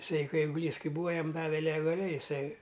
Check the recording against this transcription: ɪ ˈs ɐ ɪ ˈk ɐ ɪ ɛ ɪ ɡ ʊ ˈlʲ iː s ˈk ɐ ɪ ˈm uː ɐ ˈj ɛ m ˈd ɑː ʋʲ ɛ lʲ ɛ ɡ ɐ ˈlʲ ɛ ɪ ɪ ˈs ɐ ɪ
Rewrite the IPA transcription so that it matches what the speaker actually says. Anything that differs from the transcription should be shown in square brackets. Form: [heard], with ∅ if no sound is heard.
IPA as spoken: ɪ ˈs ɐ ɪ ˈk ɐ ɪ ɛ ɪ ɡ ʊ ˈlʲ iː s ˈk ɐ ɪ [ˈb] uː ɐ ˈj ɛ m ˈd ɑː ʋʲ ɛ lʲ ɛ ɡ ɐ ˈlʲ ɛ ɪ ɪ ˈs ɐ ɪ